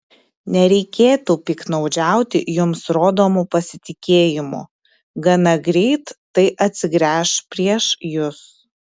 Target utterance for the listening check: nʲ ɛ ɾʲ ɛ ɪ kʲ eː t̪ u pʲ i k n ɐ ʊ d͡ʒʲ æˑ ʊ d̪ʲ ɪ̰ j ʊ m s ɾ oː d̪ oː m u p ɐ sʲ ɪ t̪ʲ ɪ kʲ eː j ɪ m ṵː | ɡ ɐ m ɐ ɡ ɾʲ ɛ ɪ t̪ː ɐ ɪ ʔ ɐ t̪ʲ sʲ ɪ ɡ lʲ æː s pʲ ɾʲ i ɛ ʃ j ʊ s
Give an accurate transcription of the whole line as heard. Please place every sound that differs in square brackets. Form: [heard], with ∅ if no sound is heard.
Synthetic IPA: nʲ ɛ ɾʲ ɛ ɪ kʲ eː t̪ u pʲ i k n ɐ ʊ d͡ʒʲ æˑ ʊ [t̪ʲ] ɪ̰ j ʊ m s ɾ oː d̪ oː m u p ɐ sʲ ɪ t̪ʲ ɪ kʲ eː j ɪ m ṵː | ɡ ɐ [n] ɐ ɡ ɾʲ ɛ ɪ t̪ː ɐ ɪ ʔ ɐ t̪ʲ sʲ ɪ ɡ [ɾʲ] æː [ʃ] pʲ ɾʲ i ɛ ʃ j ʊ s